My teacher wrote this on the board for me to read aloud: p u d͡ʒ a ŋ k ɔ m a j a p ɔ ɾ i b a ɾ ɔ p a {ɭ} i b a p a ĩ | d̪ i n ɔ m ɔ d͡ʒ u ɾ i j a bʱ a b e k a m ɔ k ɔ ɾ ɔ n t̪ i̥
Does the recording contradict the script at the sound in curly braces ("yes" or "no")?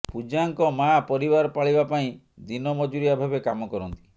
no